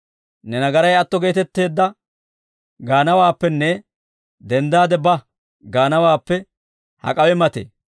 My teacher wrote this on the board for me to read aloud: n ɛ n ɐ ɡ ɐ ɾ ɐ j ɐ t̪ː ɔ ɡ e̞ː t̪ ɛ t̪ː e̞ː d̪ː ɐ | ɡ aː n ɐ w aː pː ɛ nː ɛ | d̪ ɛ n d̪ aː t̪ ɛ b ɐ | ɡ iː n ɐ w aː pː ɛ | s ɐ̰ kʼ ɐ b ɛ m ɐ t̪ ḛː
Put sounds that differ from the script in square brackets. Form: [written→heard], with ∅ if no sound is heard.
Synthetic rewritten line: n ɛ n ɐ ɡ ɐ ɾ ɐ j ɐ t̪ː ɔ ɡ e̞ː t̪ ɛ t̪ː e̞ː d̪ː ɐ | ɡ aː n ɐ w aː pː ɛ nː ɛ | d̪ ɛ n d̪ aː [t̪→d̪] ɛ b ɐ | ɡ [iː→aː] n ɐ w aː pː ɛ | [s→h] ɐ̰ kʼ ɐ [b→w] ɛ m ɐ t̪ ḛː

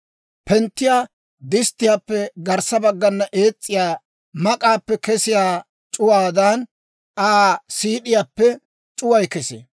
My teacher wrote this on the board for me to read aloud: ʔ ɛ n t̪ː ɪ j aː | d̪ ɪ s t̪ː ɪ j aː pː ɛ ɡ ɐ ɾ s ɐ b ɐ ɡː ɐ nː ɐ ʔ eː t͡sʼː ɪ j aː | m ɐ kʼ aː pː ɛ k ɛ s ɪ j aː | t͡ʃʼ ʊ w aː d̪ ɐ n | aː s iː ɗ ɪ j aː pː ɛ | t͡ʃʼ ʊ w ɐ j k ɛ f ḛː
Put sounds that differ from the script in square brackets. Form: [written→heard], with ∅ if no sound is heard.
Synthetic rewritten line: [ʔ→p] ɛ n t̪ː ɪ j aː | d̪ ɪ s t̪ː ɪ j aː pː ɛ ɡ ɐ ɾ s ɐ b ɐ ɡː ɐ nː ɐ ʔ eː t͡sʼː ɪ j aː | m ɐ kʼ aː pː ɛ k ɛ s ɪ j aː | t͡ʃʼ ʊ w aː d̪ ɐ n | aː s iː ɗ ɪ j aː pː ɛ | t͡ʃʼ ʊ w ɐ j k ɛ [f→s] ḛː

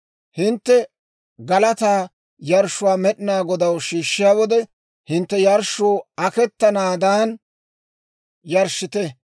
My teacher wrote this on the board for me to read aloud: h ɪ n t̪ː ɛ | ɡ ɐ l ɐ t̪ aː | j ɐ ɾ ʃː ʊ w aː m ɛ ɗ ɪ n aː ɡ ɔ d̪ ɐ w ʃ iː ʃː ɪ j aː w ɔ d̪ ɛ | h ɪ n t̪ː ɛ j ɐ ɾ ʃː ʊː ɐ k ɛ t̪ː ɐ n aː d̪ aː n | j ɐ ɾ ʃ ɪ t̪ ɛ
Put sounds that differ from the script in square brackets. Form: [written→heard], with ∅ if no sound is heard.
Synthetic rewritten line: h ɪ n t̪ː ɛ | ɡ ɐ l ɐ t̪ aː | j ɐ ɾ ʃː ʊ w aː m ɛ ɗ ɪ n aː ɡ ɔ d̪ ɐ w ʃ iː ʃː ɪ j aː w ɔ d̪ ɛ | h ɪ n t̪ː ɛ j ɐ ɾ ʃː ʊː ɐ k ɛ t̪ː ɐ n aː d̪ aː n | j ɐ ɾ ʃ ɪ t̪ ɛ

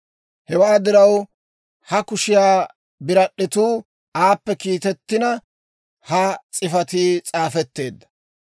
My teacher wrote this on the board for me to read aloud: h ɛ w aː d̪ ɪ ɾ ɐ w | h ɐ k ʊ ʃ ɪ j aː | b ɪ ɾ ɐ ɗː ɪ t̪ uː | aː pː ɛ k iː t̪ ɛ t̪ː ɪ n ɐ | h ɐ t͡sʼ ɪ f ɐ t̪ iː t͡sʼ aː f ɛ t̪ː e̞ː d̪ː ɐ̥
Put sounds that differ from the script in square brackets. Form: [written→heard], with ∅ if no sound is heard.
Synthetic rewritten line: h ɛ w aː d̪ ɪ ɾ ɐ w | h ɐ k ʊ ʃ ɪ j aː | b ɪ ɾ ɐ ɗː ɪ t̪ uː | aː pː ɛ k iː t̪ ɛ t̪ː ɪ n ɐ | h ɐ t͡sʼ ɪ f ɐ t̪ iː t͡sʼ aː f ɛ t̪ː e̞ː d̪ː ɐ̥

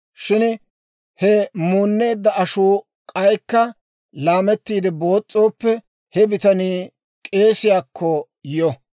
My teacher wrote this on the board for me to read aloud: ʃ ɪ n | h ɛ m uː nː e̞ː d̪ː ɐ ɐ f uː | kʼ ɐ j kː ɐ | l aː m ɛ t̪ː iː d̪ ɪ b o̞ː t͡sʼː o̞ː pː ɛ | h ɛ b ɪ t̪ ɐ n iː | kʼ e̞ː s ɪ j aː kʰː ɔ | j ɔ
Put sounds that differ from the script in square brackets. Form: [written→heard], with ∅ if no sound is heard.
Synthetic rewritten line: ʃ ɪ n | h ɛ m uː nː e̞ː d̪ː ɐ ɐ [f→ʃ] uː | kʼ ɐ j kː ɐ | l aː m ɛ t̪ː iː d̪ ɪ b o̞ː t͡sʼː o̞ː pː ɛ | h ɛ b ɪ t̪ ɐ n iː | kʼ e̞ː s ɪ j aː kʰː ɔ | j ɔ

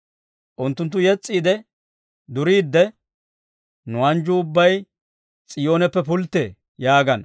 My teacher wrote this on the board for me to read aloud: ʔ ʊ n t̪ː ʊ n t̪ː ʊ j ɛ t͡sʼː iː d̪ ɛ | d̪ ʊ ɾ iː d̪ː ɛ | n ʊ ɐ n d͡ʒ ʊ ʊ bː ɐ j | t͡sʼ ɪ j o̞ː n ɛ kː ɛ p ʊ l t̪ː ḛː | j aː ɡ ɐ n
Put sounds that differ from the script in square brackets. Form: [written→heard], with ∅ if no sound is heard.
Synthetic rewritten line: ʔ ʊ n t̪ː ʊ n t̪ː ʊ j ɛ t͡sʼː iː d̪ ɛ | d̪ ʊ ɾ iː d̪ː ɛ | n ʊ ɐ n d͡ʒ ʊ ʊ bː ɐ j | t͡sʼ ɪ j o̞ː n ɛ [kː→pː] ɛ p ʊ l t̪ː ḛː | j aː ɡ ɐ n

